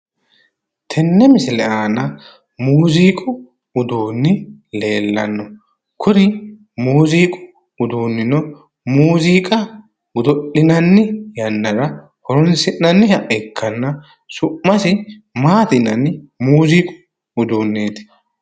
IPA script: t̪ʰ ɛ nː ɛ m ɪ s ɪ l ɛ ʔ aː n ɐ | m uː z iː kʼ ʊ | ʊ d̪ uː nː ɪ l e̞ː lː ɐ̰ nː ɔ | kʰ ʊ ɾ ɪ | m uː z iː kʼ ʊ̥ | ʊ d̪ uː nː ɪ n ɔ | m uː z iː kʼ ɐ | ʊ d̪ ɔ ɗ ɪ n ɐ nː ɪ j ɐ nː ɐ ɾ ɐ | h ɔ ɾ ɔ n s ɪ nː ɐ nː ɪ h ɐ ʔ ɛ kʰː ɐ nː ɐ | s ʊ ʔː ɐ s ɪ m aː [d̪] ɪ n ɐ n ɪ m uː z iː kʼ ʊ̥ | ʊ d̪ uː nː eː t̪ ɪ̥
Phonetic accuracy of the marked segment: incorrect: t̪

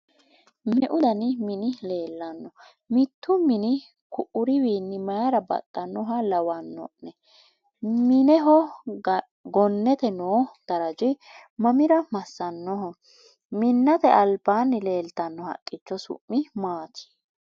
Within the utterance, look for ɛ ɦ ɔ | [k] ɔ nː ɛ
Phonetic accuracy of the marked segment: incorrect: ɡ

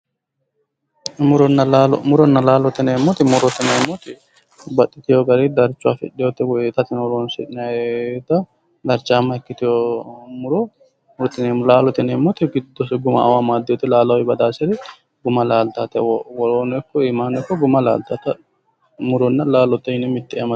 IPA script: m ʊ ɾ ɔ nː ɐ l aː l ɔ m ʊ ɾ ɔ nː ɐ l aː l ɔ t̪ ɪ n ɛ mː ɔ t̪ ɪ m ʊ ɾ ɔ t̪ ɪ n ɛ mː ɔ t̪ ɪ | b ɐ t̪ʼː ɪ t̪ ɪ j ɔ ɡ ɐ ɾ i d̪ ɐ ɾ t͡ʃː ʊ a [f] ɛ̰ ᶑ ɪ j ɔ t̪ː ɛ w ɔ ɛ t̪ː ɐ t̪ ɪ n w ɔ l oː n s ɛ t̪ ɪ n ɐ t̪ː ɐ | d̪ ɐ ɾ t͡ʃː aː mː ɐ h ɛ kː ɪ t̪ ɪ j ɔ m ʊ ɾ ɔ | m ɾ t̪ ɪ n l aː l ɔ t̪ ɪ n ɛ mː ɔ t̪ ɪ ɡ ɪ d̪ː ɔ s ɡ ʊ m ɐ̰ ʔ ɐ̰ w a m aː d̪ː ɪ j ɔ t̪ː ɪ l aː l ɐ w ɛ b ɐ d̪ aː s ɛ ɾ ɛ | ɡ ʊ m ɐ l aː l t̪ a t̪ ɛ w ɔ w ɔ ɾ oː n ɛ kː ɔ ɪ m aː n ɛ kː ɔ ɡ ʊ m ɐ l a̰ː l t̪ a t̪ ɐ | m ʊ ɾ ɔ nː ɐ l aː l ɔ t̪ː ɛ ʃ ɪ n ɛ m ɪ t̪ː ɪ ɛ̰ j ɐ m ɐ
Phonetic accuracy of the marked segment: correct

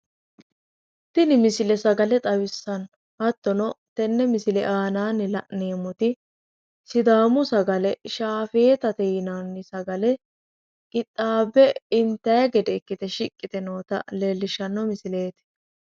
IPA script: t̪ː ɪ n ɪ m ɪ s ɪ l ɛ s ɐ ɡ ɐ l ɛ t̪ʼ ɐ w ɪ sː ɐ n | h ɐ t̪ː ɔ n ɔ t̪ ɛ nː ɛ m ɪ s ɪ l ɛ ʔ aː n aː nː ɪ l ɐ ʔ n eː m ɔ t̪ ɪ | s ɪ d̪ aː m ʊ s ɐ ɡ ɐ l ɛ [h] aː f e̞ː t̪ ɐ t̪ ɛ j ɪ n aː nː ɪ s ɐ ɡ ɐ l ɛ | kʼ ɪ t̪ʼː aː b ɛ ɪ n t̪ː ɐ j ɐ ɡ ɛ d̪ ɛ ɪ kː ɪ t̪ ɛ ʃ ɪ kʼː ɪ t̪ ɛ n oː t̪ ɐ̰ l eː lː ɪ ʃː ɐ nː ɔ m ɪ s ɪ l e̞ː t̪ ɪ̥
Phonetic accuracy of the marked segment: incorrect: ʃ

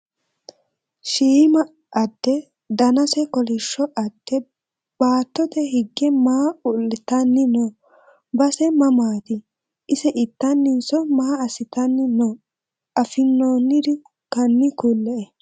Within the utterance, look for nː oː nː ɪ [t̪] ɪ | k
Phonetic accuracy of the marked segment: incorrect: d̪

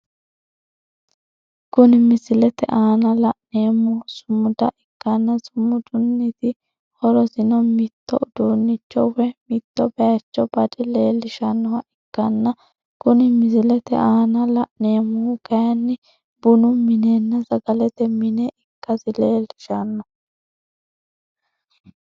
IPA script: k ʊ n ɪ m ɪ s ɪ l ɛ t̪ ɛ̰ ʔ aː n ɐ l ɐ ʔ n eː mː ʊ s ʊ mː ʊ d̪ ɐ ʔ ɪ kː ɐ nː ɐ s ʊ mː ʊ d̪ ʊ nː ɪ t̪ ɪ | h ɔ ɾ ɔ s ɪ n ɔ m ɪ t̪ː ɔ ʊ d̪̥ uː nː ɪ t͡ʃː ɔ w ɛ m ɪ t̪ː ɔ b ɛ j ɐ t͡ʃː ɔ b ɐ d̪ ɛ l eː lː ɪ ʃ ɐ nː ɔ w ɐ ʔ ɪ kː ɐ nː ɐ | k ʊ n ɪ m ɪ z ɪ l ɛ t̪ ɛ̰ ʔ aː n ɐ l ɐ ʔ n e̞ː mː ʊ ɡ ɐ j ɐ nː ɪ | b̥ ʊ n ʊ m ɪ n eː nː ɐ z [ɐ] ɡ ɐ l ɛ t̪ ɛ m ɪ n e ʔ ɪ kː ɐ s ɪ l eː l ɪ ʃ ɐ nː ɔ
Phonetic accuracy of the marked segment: correct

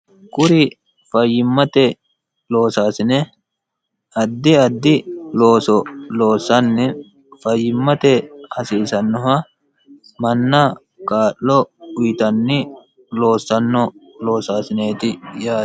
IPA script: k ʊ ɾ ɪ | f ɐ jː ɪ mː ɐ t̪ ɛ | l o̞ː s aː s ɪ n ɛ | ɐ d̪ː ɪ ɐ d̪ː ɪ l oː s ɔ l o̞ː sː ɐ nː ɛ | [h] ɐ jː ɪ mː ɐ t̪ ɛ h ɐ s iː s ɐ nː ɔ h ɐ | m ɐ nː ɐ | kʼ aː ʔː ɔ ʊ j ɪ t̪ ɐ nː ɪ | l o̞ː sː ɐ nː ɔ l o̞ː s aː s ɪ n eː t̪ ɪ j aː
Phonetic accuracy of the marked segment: incorrect: f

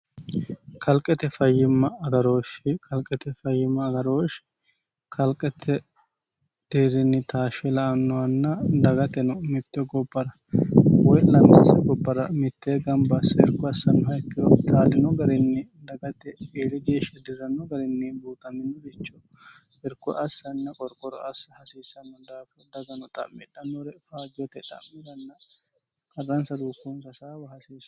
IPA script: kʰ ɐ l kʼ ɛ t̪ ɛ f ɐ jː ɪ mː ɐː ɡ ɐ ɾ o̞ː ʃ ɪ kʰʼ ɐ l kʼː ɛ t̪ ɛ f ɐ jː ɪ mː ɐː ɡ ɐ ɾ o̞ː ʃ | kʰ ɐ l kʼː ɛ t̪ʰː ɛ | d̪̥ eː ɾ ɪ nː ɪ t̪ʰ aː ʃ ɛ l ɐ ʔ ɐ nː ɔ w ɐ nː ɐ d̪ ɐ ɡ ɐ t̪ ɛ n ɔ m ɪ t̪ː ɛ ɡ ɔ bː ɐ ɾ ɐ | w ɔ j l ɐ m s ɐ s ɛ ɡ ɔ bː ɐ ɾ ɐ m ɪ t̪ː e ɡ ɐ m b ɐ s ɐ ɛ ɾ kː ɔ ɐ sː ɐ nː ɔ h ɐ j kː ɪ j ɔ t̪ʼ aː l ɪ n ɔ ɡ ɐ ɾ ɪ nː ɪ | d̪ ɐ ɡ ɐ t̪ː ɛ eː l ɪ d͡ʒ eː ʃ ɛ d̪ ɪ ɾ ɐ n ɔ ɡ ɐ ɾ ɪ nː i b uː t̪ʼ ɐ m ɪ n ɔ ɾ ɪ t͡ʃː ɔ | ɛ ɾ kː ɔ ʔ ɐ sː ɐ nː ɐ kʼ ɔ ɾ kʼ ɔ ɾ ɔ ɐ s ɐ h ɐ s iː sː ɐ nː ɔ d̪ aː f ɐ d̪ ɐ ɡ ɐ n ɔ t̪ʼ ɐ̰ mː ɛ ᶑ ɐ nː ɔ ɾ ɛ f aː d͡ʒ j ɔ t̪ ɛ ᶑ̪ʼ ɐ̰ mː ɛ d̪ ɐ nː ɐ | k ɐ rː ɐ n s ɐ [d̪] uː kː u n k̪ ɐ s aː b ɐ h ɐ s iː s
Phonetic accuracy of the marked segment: correct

